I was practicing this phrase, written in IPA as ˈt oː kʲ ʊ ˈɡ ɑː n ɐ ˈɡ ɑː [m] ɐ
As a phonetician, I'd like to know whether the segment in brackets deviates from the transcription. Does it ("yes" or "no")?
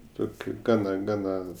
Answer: yes